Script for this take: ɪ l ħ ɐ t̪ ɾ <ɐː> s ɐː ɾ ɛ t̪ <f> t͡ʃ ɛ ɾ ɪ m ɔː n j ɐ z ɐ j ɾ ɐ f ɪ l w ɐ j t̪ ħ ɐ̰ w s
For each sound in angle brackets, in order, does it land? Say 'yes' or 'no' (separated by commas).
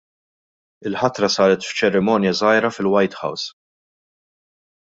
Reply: no, yes